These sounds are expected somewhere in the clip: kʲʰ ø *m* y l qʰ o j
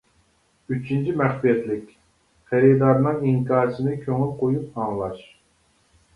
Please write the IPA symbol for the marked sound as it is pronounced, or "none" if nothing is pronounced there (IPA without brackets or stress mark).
ŋ